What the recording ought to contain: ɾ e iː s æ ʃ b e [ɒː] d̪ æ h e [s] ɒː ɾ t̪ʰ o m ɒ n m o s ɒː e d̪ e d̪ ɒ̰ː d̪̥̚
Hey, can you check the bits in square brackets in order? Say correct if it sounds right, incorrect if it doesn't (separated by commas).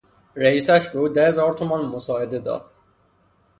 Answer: incorrect, incorrect